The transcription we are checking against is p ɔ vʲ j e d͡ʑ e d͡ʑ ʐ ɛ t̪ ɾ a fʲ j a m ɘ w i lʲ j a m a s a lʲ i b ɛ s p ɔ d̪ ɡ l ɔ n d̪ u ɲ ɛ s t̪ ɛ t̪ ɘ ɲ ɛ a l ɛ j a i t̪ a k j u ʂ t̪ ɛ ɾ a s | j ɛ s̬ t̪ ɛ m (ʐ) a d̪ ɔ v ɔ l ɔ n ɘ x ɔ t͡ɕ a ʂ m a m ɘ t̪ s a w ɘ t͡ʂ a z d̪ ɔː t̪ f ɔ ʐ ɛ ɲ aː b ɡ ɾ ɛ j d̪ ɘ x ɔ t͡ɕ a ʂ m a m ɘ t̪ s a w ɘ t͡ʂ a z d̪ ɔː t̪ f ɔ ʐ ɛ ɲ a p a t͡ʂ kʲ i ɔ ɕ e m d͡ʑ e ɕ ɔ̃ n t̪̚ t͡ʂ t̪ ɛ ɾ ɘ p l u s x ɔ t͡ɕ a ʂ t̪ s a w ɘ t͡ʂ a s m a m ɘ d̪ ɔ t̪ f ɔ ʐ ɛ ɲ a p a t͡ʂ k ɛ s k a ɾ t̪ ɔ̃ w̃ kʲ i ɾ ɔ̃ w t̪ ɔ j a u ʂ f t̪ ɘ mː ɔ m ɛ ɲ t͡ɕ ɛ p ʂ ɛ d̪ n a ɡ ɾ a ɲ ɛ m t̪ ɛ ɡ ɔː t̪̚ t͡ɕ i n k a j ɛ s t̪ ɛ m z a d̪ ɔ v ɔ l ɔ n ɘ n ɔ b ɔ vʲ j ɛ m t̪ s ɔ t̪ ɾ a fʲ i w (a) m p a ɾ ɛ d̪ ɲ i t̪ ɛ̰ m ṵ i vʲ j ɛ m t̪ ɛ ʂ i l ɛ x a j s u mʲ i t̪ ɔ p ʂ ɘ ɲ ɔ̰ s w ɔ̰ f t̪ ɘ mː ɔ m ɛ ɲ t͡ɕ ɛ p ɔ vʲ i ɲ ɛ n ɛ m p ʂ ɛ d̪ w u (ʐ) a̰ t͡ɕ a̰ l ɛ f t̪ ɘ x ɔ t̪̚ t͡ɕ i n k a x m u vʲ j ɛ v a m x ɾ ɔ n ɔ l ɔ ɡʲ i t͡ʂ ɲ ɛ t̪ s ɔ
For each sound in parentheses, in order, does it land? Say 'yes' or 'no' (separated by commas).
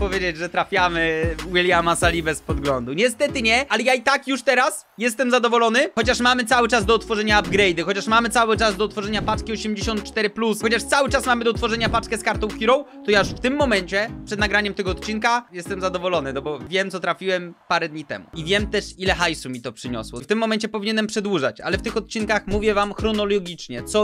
no, no, yes